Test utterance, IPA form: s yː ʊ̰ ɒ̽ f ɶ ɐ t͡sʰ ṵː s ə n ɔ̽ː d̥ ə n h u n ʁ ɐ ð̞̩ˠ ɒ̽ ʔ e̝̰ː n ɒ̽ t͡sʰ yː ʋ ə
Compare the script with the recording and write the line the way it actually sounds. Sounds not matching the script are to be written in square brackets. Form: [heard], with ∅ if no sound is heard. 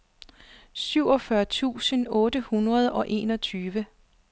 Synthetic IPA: s [y] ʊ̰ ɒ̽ f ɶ ɐ t͡sʰ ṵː s ə n ɔ̽ː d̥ ə [∅] h u n ʁ ɐ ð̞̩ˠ ɒ̽ ʔ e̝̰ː n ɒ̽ t͡sʰ yː ʋ ə

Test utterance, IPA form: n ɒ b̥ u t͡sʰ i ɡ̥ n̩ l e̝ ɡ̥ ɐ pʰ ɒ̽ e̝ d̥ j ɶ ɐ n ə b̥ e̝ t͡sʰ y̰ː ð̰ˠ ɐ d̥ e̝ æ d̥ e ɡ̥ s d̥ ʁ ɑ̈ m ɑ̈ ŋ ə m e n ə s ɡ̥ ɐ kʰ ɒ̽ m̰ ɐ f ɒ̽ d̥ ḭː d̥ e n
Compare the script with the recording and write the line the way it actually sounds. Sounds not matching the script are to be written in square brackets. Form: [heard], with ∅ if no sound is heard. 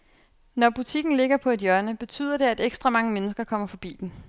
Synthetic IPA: n ɒ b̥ u t͡sʰ i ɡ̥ n̩ l e̝ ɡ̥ ɐ pʰ ɒ̽ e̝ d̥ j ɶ ɐ n ə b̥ e̝ t͡sʰ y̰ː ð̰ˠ ɐ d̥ e̝ æ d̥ e ɡ̥ s d̥ ʁ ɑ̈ m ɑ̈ ŋ ə m e n ə s ɡ̥ ɐ kʰ ɒ̽ m̰ ɐ f ɒ̽ [b̥] ḭː d̥ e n

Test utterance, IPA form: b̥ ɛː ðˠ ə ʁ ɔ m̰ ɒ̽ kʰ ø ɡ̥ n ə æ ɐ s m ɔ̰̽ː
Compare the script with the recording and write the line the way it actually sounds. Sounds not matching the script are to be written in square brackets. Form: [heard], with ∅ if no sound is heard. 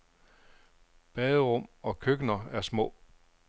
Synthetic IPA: b̥ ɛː ðˠ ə ʁ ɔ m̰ ɒ̽ kʰ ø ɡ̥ n [ɐ] æ ɐ s m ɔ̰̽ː

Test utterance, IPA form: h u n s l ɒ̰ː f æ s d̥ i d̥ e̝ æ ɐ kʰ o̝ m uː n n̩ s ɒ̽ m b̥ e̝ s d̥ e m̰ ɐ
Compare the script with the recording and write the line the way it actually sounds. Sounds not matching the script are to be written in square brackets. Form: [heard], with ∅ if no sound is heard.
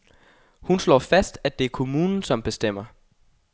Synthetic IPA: h u n s l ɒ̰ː f æ s d̥ [æ] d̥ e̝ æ ɐ kʰ o̝ m uː n n̩ s ɒ̽ m b̥ e̝ s d̥ e m̰ ɐ

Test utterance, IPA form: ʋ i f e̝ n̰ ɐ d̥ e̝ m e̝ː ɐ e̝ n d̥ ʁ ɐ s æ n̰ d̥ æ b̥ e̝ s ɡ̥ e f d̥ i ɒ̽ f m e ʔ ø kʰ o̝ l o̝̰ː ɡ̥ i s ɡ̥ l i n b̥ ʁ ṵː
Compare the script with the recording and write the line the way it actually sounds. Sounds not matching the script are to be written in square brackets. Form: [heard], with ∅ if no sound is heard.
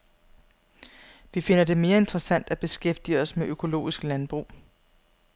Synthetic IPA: ʋ i f e̝ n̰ ɐ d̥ e̝ m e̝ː ɐ e̝ n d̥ ʁ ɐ s æ n̰ d̥ æ b̥ e̝ s ɡ̥ e f d̥ i ɒ̽ [s] m e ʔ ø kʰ o̝ l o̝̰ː [∅] i s ɡ̥ l [æ] n b̥ ʁ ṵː

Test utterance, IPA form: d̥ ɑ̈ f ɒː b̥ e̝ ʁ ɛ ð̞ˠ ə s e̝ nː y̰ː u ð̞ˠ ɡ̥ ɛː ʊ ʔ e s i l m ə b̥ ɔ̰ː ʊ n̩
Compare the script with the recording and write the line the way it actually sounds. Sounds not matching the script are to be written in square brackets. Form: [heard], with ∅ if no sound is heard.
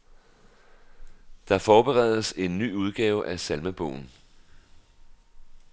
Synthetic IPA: d̥ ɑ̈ f ɒː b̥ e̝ ʁ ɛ ð̞ˠ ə s e̝ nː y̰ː u ð̞ˠ ɡ̥ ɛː ʊ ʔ [æ] s [æ] l m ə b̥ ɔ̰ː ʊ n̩

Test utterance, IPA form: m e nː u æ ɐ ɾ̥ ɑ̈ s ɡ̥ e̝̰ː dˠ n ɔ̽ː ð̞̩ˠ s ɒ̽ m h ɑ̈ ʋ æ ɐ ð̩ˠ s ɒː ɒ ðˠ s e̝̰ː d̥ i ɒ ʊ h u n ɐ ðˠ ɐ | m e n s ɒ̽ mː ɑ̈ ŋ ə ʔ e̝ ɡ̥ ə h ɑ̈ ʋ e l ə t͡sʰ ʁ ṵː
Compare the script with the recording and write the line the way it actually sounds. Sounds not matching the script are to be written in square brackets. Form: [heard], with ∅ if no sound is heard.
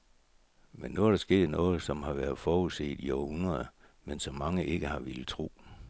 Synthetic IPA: m e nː u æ ɐ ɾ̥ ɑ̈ s ɡ̥ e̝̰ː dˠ n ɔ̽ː ð̞̩ˠ s ɒ̽ m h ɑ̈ ʋ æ ɐ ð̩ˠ [f] ɒː [u] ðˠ s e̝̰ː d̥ i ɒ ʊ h u n ɐ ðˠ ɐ | m e n s ɒ̽ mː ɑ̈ ŋ ə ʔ e̝ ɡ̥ ə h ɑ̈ ʋ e l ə t͡sʰ ʁ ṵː

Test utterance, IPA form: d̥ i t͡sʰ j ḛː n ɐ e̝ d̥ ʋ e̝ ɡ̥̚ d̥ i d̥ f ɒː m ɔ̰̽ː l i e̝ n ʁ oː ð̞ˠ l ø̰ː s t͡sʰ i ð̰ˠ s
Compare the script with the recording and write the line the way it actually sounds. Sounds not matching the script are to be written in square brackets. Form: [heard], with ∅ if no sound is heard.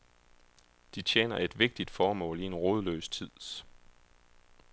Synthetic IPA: d̥ i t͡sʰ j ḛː n ɐ e̝ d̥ ʋ e̝ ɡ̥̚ d̥ i d̥ f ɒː m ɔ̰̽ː l i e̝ n ʁ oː ð̞ˠ l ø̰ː s t͡sʰ i ð̰ˠ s

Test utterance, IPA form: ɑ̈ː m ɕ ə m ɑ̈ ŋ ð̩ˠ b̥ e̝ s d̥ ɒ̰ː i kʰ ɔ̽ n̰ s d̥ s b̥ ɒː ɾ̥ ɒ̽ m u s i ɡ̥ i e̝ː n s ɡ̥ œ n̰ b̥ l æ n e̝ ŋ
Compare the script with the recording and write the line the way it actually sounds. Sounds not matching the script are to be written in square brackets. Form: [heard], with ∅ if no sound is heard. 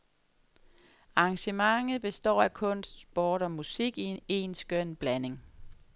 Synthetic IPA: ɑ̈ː [ŋ] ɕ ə m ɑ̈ ŋ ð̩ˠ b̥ e̝ s d̥ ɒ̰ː [æ] kʰ ɔ̽ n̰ s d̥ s b̥ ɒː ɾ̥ ɒ̽ m u s i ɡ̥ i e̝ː n s ɡ̥ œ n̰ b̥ l æ n e̝ ŋ

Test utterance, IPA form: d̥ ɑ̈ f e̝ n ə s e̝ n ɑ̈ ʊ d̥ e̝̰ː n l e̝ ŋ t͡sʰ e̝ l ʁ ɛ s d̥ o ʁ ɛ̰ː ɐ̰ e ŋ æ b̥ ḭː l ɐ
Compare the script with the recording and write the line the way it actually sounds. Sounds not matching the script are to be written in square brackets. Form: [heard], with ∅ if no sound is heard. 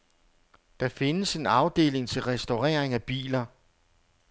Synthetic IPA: d̥ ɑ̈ f e̝ n ə s e̝ n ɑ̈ ʊ d̥ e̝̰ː [∅] l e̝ ŋ t͡sʰ e̝ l ʁ ɛ s d̥ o ʁ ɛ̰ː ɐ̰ e ŋ æ b̥ ḭː l ɐ

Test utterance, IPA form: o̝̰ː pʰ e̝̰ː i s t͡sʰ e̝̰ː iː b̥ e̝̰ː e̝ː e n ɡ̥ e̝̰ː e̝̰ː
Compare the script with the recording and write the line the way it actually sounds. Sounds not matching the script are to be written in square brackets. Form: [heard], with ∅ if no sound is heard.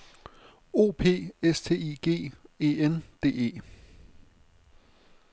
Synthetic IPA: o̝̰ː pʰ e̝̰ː [e] s t͡sʰ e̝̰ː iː [ɡ̥] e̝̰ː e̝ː e n [d̥] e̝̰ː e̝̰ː

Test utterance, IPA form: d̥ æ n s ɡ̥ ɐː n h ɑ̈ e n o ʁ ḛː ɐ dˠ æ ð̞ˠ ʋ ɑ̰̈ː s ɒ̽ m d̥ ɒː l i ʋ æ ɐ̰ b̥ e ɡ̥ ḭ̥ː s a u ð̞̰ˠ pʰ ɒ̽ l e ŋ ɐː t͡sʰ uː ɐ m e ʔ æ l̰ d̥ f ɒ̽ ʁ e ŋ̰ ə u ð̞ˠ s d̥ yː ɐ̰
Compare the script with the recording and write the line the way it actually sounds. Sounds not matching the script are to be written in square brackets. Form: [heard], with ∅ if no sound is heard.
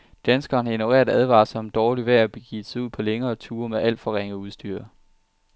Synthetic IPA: d̥ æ n s ɡ̥ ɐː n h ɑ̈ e n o ʁ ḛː ɐ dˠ æ ð̞ˠ ʋ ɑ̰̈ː s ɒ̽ m d̥ ɒː l i ʋ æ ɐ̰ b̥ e ɡ̥ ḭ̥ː s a u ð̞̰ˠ pʰ ɒ̽ l e ŋ ɐː t͡sʰ uː ɐ m e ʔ æ l̰ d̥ f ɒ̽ ʁ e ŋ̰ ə u ð̞ˠ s d̥ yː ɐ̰

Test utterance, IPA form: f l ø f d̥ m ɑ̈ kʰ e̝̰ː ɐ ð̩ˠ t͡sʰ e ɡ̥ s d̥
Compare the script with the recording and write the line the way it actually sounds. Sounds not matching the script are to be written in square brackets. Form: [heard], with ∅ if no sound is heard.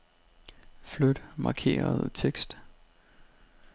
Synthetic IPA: f l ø [∅] d̥ m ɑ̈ kʰ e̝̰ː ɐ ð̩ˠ t͡sʰ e ɡ̥ s d̥

